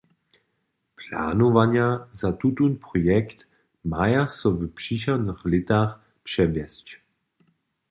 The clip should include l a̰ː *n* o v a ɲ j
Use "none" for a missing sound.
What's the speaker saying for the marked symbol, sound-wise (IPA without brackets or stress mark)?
n